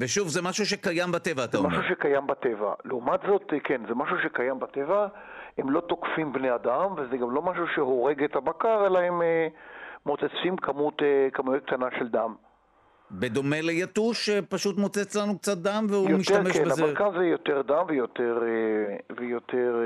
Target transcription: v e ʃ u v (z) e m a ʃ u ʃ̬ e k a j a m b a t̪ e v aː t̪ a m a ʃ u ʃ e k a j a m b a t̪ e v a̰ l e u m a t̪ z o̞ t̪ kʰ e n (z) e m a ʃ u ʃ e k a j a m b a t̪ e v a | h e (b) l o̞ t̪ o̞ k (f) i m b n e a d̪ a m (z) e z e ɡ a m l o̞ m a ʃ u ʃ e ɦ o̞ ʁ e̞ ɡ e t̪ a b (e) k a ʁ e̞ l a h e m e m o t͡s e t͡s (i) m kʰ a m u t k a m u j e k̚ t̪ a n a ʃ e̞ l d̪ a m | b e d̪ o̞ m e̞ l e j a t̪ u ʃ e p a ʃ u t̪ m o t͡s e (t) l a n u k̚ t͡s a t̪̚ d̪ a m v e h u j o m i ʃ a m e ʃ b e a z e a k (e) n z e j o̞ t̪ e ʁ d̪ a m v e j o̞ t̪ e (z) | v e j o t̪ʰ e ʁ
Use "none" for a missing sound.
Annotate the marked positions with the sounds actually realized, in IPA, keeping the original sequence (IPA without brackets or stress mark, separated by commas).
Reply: z, z, m, f, v, a, i, t͡s, a, ʁ